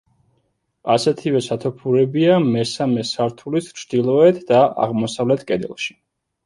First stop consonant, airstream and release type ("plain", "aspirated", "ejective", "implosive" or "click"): aspirated